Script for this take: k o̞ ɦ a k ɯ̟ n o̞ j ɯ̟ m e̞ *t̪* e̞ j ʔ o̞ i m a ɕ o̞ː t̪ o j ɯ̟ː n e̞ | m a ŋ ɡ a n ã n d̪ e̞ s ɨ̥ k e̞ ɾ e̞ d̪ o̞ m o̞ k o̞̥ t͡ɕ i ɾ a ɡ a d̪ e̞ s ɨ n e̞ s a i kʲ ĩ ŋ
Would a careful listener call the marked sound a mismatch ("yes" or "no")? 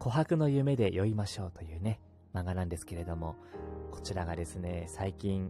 yes